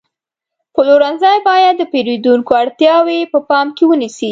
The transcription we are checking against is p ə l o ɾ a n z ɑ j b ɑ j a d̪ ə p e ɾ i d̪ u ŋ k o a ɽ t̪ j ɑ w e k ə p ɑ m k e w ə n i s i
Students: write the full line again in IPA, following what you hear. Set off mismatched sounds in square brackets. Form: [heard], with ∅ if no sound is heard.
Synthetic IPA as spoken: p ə l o ɾ a n z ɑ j b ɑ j a [d̪ː] ə p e ɾ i d̪ u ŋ k o a ɽ t̪ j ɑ w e [p] ə p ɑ m k e w ə n i s i